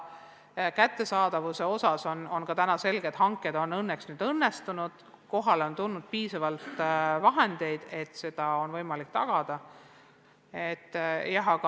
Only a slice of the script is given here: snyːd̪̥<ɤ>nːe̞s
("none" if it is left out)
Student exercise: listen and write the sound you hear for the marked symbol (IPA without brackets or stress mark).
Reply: ɤ